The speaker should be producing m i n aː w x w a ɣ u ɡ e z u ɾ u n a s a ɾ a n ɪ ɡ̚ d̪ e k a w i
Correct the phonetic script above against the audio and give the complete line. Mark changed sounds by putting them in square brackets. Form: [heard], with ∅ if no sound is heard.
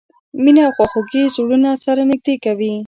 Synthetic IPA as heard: m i n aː w x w a [x] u ɡ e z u [ɽ] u n a s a ɾ a n ɪ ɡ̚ d̪ e k a w i